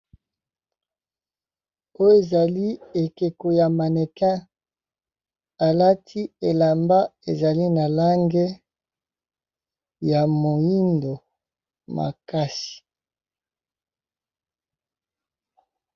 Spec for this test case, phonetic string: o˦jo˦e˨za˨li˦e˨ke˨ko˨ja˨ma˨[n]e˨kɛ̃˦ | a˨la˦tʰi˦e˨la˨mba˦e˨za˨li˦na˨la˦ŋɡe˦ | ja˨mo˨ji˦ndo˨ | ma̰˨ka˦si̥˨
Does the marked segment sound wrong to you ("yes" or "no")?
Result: no